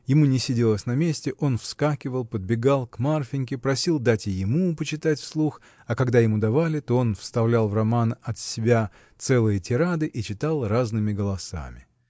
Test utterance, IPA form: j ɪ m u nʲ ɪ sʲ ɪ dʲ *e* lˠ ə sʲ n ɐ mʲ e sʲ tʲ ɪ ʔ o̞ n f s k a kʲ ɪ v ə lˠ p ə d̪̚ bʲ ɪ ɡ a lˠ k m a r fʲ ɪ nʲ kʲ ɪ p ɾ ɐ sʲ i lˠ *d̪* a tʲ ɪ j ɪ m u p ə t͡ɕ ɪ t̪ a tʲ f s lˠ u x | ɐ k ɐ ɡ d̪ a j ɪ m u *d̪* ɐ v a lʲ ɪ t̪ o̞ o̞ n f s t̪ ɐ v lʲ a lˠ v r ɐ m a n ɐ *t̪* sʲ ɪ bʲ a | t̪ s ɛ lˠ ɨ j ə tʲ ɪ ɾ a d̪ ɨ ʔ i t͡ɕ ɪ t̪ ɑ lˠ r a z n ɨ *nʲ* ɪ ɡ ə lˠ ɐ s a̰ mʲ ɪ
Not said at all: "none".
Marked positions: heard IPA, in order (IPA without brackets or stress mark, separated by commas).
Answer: e, d̪, d̪, t̪, mʲ